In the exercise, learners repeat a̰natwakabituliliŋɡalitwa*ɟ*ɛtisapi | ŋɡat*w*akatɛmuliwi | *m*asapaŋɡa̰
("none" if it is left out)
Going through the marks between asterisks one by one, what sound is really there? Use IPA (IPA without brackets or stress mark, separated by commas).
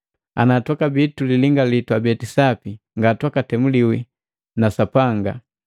b, w, n